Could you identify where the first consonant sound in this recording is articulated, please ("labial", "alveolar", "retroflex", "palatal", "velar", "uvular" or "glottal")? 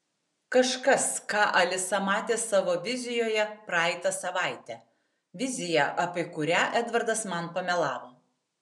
velar